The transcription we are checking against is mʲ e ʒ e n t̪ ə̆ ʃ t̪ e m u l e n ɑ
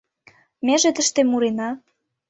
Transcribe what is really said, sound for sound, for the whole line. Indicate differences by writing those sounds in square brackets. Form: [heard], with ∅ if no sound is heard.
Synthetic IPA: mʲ e ʒ e [∅] t̪ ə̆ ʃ t̪ e m u [ɾ] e n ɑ